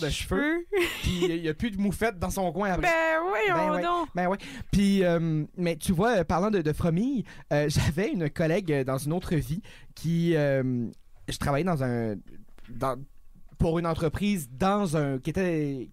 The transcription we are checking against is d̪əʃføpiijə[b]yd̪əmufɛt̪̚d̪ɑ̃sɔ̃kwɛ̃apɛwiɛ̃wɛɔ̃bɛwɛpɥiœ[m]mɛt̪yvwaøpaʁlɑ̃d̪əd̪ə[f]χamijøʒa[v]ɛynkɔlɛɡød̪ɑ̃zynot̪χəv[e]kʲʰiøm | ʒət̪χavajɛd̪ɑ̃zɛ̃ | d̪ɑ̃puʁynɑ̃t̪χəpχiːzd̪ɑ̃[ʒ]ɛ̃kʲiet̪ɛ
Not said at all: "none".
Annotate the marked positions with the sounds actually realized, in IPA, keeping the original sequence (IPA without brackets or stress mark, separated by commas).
p, m, f, v, i, z